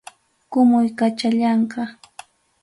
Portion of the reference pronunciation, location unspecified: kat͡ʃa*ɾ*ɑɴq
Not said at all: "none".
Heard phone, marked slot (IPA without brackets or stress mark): ʎ